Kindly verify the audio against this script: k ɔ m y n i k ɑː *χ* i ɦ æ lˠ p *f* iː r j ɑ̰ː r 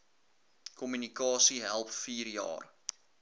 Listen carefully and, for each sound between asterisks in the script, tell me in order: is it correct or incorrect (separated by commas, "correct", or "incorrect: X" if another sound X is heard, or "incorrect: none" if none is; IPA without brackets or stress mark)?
incorrect: s, correct